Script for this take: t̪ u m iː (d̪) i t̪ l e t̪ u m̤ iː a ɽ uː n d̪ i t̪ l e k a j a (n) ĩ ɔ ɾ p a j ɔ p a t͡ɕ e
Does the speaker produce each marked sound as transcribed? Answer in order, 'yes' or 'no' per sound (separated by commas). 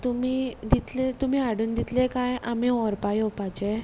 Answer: yes, no